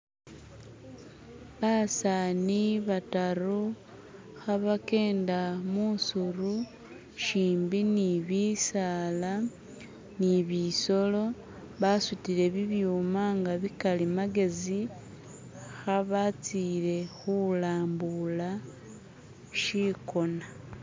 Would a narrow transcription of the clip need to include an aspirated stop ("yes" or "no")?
no